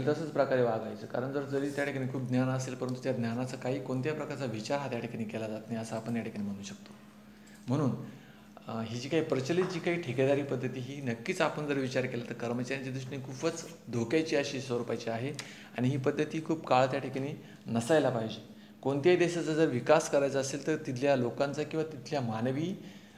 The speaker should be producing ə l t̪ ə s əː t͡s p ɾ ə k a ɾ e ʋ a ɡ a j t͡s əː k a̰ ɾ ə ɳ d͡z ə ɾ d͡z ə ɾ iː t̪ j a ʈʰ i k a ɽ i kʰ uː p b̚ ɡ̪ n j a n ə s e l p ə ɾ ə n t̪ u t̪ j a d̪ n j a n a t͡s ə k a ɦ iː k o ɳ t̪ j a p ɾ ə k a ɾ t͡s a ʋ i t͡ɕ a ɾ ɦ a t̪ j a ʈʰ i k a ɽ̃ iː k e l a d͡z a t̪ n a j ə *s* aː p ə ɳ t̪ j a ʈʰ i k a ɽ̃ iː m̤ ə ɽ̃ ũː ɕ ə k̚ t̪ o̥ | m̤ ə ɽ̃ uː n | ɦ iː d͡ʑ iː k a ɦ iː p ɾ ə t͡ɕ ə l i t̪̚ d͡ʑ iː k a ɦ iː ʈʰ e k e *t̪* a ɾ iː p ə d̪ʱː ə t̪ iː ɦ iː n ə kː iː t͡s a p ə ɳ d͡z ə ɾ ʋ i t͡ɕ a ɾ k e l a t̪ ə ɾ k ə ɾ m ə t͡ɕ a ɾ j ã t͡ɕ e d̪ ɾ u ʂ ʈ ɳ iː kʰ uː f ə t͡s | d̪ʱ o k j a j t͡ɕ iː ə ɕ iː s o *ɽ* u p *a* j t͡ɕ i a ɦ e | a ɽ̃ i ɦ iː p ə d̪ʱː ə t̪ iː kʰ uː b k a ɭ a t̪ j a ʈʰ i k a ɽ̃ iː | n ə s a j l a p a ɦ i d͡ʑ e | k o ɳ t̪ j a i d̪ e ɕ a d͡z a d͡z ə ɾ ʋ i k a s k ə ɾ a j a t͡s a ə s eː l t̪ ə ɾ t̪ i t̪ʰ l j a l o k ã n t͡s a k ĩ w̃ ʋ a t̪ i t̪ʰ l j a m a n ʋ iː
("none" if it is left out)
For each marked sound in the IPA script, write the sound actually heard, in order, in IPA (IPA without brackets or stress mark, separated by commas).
s, d̪, ɾ, a